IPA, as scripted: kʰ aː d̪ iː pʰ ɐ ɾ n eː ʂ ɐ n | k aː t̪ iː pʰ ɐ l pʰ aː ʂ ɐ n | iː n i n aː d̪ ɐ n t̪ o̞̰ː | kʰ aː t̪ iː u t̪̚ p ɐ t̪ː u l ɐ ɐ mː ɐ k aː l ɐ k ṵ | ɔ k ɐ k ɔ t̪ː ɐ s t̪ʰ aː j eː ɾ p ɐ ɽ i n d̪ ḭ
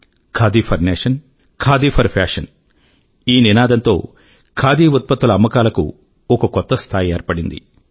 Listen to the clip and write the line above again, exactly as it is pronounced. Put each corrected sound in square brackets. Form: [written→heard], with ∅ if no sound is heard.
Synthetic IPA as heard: kʰ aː d̪ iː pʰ ɐ ɾ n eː ʂ ɐ n | [k→kʰ] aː [t̪→d̪] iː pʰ ɐ [l→ɾ] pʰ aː ʂ ɐ n | iː n i n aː d̪ ɐ n t̪ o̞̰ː | kʰ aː [t̪→d̪] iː u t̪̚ p ɐ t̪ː u l ɐ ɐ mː ɐ k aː l ɐ k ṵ | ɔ k ɐ k ɔ t̪ː ɐ s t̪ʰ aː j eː ɾ p ɐ ɽ i n d̪ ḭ

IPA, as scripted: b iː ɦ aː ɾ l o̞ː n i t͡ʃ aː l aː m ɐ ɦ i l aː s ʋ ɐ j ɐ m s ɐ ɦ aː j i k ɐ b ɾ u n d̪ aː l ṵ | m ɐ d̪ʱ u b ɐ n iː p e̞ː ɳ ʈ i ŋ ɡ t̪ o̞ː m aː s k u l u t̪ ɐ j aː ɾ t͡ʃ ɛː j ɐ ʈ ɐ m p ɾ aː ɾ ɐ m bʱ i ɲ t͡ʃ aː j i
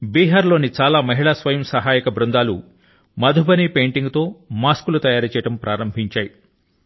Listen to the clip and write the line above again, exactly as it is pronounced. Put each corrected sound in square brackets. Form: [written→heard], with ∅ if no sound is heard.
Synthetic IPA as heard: b iː ɦ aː ɾ l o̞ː n i t͡ʃ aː l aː m ɐ ɦ i [l→ɭ] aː s ʋ ɐ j ɐ m s ɐ ɦ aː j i k ɐ b ɾ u n d̪ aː l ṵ | m ɐ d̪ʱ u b ɐ n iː p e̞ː ɳ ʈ i ŋ ɡ t̪ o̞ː m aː s k u l u t̪ ɐ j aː ɾ t͡ʃ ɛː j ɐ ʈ ɐ m p ɾ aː ɾ ɐ m bʱ i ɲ t͡ʃ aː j i

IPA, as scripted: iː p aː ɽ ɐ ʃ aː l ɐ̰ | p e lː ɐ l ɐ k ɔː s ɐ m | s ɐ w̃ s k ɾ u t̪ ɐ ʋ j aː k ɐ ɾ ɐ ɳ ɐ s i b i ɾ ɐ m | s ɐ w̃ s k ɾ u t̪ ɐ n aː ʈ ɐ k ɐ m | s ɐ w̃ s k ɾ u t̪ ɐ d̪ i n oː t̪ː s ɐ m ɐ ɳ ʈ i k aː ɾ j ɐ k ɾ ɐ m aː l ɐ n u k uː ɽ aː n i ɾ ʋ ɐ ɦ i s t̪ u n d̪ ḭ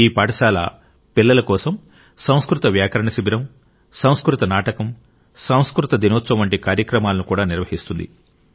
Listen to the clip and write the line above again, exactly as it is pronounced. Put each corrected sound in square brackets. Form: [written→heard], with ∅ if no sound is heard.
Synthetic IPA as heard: iː p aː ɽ ɐ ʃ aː l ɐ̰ | p [e→i] lː ɐ l ɐ k ɔː s ɐ m | s ɐ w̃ s k ɾ u t̪ ɐ ʋ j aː k ɐ ɾ ɐ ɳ ɐ s i b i ɾ ɐ m | s ɐ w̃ s k ɾ u t̪ ɐ n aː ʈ ɐ k ɐ m | s ɐ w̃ s k ɾ u t̪ ɐ d̪ i n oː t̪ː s ɐ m ɐ ɳ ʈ i k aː ɾ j ɐ k ɾ ɐ m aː l ɐ n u k uː ɽ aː n i ɾ ʋ ɐ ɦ i s t̪ u n d̪ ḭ

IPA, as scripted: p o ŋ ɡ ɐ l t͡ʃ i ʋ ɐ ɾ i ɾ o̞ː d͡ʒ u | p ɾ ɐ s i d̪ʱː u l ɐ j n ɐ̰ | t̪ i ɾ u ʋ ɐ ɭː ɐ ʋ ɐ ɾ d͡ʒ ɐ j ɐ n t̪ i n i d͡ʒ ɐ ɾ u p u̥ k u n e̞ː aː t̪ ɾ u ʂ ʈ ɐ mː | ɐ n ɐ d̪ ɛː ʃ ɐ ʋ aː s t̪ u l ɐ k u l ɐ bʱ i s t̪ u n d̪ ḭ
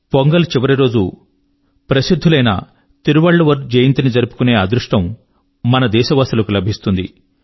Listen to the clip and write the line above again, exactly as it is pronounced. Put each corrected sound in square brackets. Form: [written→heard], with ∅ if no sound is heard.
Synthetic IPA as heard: p o ŋ ɡ ɐ l t͡ʃ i ʋ ɐ ɾ i ɾ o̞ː d͡ʒ u | p ɾ ɐ s i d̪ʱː u l ɐ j n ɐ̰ | t̪ i ɾ u ʋ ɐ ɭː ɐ ʋ ɐ ɾ d͡ʒ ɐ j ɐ n t̪ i n i d͡ʒ ɐ ɾ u p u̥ k u n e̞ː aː [t̪→d̪] ɾ u ʂ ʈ ɐ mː | ɐ n ɐ d̪ ɛː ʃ ɐ ʋ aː s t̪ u l ɐ k u l ɐ bʱ i s t̪ u n d̪ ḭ

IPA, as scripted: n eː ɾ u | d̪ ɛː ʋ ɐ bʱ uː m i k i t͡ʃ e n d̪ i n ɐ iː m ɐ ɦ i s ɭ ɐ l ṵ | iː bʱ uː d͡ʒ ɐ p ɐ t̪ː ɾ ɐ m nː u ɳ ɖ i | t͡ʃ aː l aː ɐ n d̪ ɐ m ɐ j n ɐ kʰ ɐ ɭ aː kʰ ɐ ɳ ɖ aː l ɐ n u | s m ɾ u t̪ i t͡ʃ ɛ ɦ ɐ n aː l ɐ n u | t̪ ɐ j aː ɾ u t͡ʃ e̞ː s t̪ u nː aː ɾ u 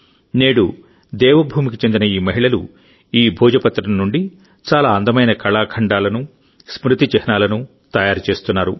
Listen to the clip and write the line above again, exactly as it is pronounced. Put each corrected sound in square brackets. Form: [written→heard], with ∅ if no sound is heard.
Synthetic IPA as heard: n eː [ɾ→ɽ] u | d̪ ɛː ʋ ɐ bʱ uː m i k i t͡ʃ e n d̪ i n ɐ iː m ɐ ɦ i [s→∅] ɭ ɐ l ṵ | iː bʱ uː d͡ʒ ɐ p ɐ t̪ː ɾ ɐ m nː u ɳ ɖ i | t͡ʃ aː l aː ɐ n d̪ ɐ m ɐ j n ɐ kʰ ɐ ɭ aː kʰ ɐ ɳ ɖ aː l ɐ n u | s m ɾ u t̪ i t͡ʃ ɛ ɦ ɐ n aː l ɐ n u | t̪ ɐ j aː ɾ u t͡ʃ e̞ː s t̪ u nː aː ɾ u

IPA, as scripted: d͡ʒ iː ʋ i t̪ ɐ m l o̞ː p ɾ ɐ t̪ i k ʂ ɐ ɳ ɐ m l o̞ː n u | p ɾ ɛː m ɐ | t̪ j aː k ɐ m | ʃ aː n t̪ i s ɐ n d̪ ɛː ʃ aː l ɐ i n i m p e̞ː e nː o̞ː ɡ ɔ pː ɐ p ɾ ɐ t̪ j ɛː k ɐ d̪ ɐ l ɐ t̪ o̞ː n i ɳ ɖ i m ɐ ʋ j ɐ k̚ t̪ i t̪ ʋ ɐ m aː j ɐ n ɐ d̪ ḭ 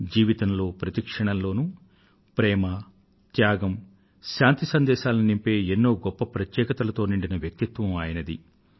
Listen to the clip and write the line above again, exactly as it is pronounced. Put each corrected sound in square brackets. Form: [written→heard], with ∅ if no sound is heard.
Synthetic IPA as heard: d͡ʒ iː ʋ i t̪ ɐ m l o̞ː p ɾ ɐ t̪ i k ʂ ɐ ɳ ɐ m l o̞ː n u | p ɾ ɛː m ɐ | t̪ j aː [k→ɡ] ɐ m | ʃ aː n t̪ i s ɐ n d̪ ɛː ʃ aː l ɐ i n i m p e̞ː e nː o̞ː ɡ ɔ pː ɐ p ɾ ɐ t̪ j ɛː k ɐ [d̪→t̪] ɐ l ɐ t̪ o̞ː n i ɳ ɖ i [m→n] ɐ ʋ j ɐ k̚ t̪ i t̪ ʋ ɐ m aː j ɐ n ɐ d̪ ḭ

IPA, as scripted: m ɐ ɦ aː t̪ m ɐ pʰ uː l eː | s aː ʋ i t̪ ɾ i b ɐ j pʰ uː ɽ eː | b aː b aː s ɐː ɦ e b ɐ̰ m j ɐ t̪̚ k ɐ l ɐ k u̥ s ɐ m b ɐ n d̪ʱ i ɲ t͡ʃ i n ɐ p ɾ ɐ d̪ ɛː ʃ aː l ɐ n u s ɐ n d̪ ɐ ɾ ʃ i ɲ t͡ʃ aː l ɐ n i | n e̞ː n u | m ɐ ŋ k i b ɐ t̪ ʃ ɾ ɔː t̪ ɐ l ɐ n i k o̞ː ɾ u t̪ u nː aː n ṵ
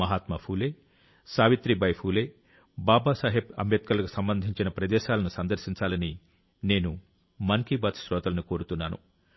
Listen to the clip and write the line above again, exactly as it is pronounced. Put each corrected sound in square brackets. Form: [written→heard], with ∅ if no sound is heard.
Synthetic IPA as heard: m ɐ ɦ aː t̪ m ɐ pʰ uː l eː | s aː ʋ i t̪ ɾ i b ɐ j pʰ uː [ɽ→l] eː | b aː b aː s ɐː ɦ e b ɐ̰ m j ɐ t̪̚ k ɐ l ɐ k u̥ s ɐ m b ɐ n d̪ʱ i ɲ t͡ʃ i n ɐ p ɾ ɐ d̪ ɛː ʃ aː l ɐ n u s ɐ n d̪ ɐ ɾ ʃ i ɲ t͡ʃ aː l ɐ n i | n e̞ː n u | m ɐ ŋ k i b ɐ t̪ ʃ ɾ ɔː t̪ ɐ l ɐ n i k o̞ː ɾ u t̪ u nː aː n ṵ

